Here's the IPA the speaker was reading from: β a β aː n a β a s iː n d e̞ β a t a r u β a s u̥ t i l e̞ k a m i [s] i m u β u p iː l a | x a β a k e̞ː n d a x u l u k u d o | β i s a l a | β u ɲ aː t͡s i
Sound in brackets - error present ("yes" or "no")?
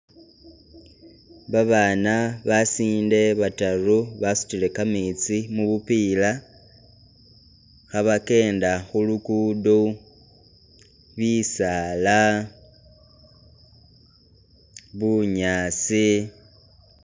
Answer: yes